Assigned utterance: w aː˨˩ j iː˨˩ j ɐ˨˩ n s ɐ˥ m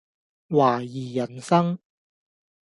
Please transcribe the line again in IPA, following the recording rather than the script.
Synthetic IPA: w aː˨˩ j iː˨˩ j ɐ˨˩ n s ɐ˥ ŋ